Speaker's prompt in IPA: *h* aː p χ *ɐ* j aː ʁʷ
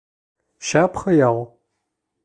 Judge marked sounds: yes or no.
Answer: no, yes

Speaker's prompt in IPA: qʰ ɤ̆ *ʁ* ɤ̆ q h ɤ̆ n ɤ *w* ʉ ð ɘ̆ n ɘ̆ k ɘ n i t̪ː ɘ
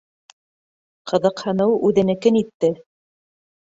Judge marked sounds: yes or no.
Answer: no, yes

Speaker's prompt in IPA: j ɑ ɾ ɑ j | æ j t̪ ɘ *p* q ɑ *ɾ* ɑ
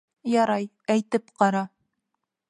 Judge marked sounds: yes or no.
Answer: yes, yes

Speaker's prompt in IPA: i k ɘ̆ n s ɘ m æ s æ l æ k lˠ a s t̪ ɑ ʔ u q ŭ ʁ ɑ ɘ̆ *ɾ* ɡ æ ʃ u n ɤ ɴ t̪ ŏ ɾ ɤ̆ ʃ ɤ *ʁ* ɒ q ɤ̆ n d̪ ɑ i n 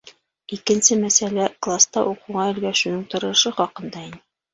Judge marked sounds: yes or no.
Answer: no, no

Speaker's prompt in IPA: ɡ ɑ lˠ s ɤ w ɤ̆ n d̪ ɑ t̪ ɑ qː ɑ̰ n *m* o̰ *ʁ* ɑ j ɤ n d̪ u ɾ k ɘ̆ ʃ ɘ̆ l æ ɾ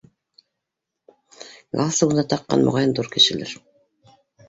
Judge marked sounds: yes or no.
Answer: yes, yes

